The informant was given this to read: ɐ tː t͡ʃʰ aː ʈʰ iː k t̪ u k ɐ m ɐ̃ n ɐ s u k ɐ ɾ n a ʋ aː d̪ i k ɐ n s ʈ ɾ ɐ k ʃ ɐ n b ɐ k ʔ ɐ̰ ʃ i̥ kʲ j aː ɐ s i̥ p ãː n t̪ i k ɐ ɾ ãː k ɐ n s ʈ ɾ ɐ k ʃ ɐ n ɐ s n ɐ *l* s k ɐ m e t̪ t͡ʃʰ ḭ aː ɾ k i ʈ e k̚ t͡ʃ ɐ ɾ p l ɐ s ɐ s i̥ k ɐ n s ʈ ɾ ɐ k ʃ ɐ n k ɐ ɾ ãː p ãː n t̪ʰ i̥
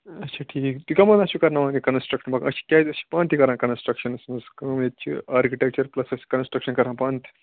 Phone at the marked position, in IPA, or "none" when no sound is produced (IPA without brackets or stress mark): none